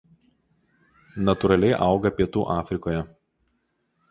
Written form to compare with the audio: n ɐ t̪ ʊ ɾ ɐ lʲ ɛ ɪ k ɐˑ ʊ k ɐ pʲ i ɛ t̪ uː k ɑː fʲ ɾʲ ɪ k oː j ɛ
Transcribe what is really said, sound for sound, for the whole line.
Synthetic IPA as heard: n ɐ t̪ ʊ ɾ ɐ lʲ ɛ ɪ ʔ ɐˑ ʊ ɡ ɐ pʲ i ɛ t̪ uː ʔ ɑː fʲ ɾʲ ɪ k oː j ɛ